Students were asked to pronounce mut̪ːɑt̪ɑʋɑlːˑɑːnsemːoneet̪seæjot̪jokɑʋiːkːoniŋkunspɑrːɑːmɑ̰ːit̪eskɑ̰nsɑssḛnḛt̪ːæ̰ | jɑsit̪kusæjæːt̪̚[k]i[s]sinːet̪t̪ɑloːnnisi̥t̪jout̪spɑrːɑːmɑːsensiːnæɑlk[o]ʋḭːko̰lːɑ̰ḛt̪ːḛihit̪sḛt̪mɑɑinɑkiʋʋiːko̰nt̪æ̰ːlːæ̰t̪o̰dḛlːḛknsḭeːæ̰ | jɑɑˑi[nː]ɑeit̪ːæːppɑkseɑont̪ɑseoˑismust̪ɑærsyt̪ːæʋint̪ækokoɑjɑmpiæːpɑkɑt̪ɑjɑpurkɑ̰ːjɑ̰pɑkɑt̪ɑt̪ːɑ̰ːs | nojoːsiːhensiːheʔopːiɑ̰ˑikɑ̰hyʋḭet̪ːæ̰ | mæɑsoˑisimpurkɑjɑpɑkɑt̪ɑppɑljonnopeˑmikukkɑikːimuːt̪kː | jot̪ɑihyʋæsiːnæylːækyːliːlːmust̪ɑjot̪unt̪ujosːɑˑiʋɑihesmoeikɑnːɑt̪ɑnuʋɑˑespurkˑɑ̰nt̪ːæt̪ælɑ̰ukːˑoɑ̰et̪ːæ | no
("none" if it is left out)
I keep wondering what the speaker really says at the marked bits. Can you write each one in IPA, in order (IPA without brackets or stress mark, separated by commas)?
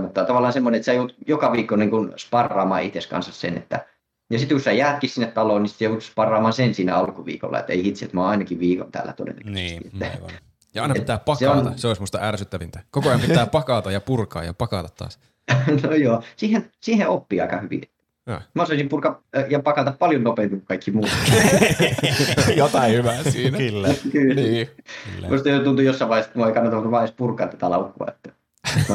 k, s, u, n